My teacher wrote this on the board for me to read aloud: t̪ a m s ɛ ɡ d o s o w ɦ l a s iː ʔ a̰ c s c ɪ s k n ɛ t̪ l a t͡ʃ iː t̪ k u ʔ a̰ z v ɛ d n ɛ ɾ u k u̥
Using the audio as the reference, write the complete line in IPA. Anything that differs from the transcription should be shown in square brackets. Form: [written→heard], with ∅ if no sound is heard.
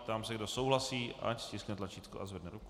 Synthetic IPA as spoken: t̪ a m s ɛ ɡ d o s o w ɦ l a s iː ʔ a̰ c s c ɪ s k n ɛ t̪ l a t͡ʃ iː t̪ k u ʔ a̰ z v ɛ d n ɛ ɾ u k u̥